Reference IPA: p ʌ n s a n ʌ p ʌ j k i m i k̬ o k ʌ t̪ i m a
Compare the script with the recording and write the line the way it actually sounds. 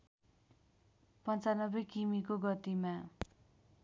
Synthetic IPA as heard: p ʌ n t͡s a n ʌ b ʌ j k i m i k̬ o ɡ ʌ t̪ i m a